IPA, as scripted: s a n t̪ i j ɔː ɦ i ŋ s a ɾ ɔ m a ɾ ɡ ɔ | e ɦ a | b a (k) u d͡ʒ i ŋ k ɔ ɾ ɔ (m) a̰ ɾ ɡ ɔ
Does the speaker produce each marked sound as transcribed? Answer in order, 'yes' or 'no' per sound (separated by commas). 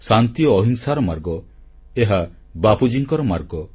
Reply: no, yes